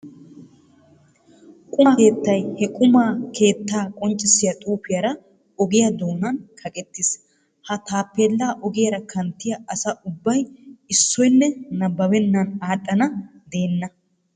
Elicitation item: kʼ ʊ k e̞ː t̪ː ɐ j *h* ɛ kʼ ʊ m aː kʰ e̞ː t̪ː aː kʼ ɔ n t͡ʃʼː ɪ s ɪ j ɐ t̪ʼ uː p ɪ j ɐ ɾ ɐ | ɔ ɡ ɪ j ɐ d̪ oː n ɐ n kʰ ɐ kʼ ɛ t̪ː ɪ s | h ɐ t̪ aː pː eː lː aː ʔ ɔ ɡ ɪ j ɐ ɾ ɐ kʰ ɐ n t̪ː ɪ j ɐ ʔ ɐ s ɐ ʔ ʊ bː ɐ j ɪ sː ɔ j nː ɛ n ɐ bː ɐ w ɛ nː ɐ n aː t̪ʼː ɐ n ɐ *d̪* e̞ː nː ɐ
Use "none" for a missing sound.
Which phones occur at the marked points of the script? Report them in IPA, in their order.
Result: h, d̪

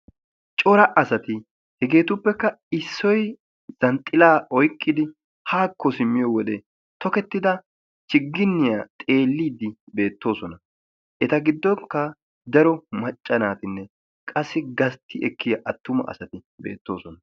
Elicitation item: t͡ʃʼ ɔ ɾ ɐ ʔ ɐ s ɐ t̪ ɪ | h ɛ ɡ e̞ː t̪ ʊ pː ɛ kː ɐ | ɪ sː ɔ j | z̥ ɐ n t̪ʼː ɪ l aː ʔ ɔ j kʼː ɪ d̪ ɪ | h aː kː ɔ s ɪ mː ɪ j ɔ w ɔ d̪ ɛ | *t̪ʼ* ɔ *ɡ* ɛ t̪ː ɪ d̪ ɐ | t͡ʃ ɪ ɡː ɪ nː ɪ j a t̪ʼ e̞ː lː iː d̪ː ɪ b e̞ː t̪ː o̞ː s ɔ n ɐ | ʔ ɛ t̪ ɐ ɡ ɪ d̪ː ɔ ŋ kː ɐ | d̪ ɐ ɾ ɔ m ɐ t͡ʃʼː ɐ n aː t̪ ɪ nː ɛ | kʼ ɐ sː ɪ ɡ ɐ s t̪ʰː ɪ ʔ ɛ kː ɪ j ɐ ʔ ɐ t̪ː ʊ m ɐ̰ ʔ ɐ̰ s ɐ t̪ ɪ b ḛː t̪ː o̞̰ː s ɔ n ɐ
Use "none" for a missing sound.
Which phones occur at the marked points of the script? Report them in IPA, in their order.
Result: t̪, k

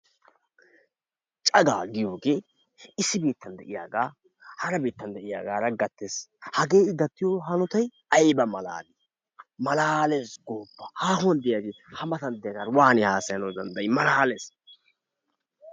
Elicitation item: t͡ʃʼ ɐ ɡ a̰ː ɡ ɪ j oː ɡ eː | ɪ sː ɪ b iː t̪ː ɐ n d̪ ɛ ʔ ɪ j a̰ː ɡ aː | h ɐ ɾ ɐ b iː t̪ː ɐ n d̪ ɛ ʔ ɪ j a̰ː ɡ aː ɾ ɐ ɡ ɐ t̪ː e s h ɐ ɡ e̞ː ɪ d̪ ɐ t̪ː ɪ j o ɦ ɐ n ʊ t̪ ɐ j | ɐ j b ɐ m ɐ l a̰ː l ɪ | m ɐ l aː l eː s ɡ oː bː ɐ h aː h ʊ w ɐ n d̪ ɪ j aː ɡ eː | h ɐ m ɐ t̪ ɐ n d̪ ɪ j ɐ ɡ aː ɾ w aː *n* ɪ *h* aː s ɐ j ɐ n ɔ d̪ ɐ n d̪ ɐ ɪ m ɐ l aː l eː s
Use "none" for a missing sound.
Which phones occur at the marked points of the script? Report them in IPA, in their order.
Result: n, h

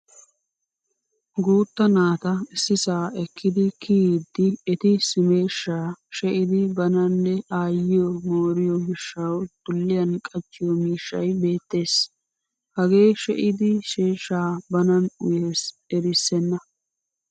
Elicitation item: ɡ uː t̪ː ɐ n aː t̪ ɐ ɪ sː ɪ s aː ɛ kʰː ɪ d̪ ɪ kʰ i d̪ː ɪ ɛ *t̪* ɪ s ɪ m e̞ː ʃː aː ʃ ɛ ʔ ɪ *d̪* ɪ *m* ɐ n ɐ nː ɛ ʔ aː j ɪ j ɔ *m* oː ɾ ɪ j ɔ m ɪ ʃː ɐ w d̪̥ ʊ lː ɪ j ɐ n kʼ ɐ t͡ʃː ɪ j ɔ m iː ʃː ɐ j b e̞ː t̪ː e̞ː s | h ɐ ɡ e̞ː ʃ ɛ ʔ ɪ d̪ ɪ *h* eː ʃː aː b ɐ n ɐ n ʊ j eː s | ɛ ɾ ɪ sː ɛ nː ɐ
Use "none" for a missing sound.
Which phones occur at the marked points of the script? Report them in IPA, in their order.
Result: t̪, d̪, b, m, ʃ

